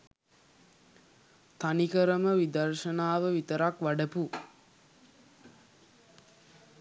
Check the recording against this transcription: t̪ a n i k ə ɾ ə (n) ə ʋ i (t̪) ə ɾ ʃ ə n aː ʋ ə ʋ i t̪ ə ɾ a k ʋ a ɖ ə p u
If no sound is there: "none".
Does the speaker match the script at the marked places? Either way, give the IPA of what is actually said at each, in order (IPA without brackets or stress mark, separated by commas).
m, d̪